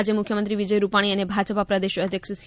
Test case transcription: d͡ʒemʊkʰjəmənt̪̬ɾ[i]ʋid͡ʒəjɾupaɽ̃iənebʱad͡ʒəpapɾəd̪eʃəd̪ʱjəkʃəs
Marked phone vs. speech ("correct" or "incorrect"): correct